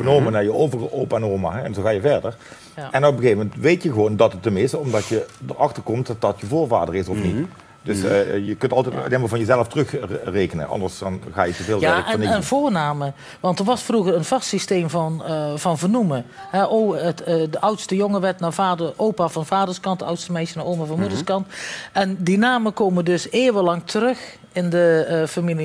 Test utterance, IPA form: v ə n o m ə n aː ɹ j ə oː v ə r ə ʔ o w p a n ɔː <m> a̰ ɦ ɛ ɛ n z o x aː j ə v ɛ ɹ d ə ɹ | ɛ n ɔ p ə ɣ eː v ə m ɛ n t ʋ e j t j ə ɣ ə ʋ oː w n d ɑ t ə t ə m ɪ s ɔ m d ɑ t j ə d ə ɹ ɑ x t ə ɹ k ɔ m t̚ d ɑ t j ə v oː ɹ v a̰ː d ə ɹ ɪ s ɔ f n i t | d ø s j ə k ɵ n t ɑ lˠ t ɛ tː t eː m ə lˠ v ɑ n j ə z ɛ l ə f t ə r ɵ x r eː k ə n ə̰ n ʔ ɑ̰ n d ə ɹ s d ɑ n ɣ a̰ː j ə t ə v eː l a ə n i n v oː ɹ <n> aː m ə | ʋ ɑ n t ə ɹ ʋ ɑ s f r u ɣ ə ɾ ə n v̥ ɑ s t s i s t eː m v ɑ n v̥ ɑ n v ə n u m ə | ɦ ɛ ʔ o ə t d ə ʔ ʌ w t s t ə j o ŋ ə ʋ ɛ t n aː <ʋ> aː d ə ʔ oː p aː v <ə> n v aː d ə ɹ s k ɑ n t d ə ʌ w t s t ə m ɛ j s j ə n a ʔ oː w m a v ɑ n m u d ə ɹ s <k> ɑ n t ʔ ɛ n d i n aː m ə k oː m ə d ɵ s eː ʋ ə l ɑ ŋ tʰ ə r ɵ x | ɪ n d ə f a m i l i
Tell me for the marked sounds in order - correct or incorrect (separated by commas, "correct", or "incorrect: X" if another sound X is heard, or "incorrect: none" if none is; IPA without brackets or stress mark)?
correct, correct, incorrect: v, incorrect: ɑ, correct